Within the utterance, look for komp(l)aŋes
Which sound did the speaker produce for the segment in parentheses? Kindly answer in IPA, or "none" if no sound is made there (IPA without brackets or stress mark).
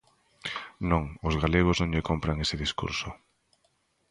ɾ